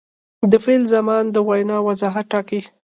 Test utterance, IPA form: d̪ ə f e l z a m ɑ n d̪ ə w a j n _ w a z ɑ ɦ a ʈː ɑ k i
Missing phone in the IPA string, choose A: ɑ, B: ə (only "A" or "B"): A